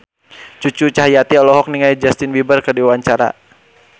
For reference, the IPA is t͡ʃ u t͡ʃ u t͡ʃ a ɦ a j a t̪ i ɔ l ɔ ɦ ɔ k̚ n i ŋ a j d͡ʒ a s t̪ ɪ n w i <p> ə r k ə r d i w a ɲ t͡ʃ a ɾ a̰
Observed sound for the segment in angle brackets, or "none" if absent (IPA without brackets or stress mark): b